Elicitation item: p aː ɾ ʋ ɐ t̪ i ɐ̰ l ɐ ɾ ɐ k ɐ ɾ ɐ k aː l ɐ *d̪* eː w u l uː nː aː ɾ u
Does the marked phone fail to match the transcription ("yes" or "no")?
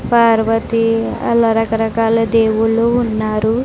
no